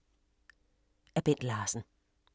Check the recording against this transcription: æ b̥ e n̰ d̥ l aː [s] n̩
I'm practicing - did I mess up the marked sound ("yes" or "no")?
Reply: no